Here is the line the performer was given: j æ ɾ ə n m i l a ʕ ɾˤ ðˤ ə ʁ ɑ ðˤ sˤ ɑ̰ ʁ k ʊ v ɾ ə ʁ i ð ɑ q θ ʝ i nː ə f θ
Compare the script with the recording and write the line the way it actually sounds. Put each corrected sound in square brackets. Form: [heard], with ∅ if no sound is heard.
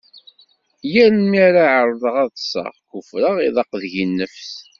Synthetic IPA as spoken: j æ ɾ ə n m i [ɾ] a ʕ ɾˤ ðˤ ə ʁ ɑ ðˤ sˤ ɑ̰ ʁ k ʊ [f] ɾ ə ʁ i ð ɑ q [ð] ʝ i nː ə f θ